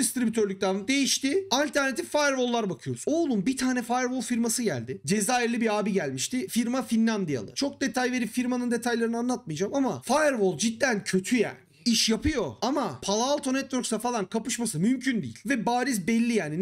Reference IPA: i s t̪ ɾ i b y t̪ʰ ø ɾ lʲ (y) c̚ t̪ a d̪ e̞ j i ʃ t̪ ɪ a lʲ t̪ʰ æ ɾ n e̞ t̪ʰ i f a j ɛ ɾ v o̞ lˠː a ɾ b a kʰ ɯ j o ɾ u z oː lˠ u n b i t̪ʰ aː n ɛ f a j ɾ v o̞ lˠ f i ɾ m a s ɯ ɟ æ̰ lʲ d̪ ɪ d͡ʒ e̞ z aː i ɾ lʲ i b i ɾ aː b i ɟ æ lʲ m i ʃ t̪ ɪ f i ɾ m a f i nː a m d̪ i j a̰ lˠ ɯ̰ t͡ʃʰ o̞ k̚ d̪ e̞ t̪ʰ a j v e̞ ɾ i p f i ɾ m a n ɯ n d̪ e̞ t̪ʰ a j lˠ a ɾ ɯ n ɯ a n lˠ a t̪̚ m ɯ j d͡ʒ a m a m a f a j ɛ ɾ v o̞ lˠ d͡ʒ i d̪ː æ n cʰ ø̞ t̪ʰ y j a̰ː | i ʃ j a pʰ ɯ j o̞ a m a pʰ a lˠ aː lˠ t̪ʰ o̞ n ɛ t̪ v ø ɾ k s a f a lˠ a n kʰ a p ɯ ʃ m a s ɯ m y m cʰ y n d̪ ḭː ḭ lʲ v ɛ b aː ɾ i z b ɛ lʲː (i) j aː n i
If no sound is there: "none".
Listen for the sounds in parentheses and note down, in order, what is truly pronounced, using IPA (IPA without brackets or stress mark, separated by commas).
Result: y, i